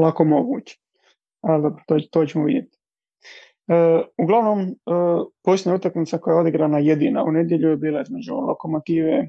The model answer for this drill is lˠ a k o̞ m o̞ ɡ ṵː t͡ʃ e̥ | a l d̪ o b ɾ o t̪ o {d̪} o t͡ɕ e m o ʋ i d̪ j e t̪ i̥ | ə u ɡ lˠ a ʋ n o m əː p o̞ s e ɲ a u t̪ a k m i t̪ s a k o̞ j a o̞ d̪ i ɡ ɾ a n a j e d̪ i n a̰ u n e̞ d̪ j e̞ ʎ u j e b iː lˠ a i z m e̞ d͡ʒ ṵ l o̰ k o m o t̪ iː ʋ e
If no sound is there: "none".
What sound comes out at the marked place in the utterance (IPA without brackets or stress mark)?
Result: t̪